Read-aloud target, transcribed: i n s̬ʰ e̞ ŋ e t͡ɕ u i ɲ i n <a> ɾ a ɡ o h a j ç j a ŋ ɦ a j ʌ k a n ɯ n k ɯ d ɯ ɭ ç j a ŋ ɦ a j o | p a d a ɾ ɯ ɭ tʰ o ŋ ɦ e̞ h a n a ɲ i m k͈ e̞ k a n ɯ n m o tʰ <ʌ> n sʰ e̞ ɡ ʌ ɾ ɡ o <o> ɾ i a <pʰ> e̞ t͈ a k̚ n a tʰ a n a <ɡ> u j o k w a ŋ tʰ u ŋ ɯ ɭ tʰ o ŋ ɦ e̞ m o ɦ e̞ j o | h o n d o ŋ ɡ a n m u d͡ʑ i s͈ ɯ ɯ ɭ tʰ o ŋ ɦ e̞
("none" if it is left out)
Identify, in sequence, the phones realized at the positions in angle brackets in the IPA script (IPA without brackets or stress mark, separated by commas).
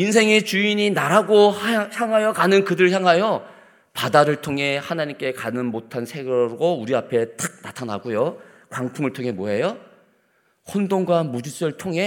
a, a, u, pʰ, ɡ